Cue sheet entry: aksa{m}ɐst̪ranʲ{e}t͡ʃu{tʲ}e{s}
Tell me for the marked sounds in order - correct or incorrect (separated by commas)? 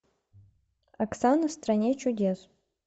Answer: incorrect, correct, incorrect, correct